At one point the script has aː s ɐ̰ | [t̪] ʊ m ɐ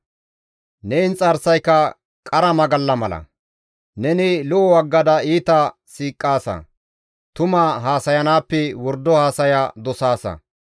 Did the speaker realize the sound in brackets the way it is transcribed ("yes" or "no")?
yes